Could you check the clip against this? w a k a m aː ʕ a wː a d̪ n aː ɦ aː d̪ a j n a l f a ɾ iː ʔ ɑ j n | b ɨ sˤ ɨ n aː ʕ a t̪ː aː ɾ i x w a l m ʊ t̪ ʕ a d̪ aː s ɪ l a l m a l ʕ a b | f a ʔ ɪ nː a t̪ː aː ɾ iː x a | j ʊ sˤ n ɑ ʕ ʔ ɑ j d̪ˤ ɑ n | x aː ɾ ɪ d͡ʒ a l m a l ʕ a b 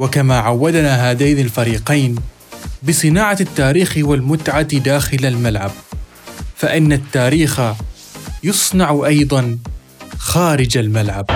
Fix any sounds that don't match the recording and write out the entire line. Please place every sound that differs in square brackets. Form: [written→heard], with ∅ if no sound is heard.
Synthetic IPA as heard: w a k a m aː ʕ a wː a d̪ n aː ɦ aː d̪ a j n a l f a ɾ iː [ʔ→q] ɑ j n | b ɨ sˤ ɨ n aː ʕ a t̪ː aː ɾ [i→iː] x w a l m ʊ t̪ ʕ a d̪ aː [s→x] ɪ l a l m a l ʕ a b | f a ʔ ɪ nː a t̪ː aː ɾ iː x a | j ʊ sˤ n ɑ ʕ ʔ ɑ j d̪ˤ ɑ n | x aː ɾ ɪ d͡ʒ a l m a l ʕ a b